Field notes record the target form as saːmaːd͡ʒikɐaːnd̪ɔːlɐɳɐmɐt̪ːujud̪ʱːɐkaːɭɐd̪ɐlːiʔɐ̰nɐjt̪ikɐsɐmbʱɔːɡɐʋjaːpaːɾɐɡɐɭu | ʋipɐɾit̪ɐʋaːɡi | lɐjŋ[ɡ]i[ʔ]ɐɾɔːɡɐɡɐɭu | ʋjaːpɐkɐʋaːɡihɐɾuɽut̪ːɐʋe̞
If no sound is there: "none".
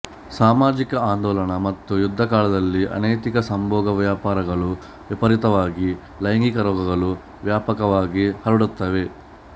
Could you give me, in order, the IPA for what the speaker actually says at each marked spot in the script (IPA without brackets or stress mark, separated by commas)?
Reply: ɡ, k